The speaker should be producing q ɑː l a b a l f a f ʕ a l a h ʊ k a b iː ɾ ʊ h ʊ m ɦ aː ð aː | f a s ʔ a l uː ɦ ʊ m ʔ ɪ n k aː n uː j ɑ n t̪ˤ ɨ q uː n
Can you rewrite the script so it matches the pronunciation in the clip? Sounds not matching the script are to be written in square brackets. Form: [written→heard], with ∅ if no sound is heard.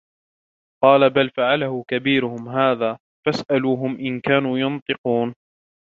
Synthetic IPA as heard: q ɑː l a b a l f a [f→∅] ʕ a l a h ʊ k a b iː ɾ ʊ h ʊ m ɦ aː ð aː | f a s ʔ a l uː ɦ ʊ m ʔ ɪ n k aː n uː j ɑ n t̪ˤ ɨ q uː n